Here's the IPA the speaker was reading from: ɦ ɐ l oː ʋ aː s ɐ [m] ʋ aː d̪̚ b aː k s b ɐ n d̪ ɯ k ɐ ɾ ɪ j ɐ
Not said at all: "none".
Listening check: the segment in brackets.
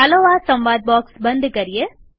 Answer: m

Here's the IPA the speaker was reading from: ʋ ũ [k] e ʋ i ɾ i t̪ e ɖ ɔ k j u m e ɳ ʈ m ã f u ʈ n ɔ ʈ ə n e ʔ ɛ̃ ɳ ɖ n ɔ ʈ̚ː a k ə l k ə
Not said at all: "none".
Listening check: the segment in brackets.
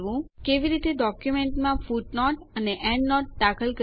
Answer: k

